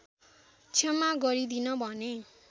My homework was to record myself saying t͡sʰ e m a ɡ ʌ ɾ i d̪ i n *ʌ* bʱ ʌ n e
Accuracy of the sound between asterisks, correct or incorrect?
correct